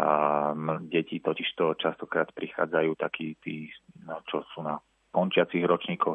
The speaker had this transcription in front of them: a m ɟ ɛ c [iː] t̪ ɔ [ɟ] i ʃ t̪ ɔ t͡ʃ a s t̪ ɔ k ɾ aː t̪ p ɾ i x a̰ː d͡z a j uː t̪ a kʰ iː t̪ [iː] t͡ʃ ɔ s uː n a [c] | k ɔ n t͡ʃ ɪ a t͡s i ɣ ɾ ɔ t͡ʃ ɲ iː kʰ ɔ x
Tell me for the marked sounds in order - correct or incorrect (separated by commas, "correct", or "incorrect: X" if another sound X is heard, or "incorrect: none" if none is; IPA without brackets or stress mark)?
incorrect: i, incorrect: c, correct, incorrect: none